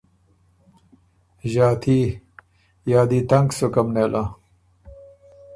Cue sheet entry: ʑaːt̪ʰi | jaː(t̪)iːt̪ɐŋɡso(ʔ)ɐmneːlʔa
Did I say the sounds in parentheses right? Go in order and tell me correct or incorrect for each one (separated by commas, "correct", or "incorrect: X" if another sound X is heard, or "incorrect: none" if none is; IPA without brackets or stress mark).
incorrect: d̪, incorrect: k